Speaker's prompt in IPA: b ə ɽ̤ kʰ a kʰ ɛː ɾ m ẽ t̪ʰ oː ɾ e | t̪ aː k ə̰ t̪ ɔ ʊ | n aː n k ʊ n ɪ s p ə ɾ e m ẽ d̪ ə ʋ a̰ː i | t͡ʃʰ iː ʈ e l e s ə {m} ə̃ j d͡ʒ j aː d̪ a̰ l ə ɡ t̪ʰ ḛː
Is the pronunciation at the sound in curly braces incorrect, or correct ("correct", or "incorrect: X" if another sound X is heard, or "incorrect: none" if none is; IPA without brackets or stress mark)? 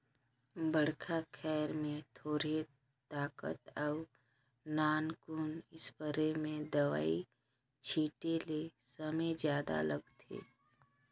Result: correct